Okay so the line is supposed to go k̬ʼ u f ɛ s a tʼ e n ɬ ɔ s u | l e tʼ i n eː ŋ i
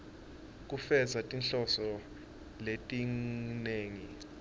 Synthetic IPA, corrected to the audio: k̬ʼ u f ɛ z a tʼ i n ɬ ɔ s ɔ | l e tʼ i n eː ŋ i